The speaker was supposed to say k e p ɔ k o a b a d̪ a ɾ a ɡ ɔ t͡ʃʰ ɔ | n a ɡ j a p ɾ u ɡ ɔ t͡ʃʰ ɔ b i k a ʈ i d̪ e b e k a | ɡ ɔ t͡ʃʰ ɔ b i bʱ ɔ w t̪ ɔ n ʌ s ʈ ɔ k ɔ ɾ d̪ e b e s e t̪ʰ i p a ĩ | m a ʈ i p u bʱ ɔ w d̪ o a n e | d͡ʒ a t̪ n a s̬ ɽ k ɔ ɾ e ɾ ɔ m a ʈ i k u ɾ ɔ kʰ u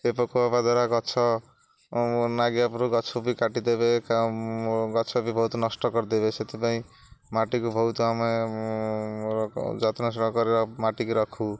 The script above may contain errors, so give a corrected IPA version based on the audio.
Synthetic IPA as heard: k e p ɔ k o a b a d̪ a ɾ a ɡ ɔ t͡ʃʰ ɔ | n a ɡ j a p ɾ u ɡ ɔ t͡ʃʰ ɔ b i k a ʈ i d̪ e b e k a | ɡ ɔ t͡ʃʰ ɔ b i bʱ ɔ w t̪ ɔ n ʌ s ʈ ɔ k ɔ ɾ d̪ e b e s e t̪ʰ i p a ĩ | m a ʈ i k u bʱ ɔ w t̪ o a m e | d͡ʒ a t̪ n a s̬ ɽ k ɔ ɾ e ɾ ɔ m a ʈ i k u ɾ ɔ kʰ u